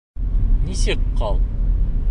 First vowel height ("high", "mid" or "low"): high